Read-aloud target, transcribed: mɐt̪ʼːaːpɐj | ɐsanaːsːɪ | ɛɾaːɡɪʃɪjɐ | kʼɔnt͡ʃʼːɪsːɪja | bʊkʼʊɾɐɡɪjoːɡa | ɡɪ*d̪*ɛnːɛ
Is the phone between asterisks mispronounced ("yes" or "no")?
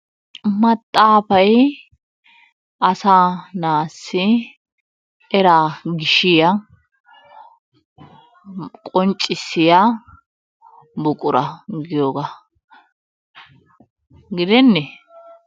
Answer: no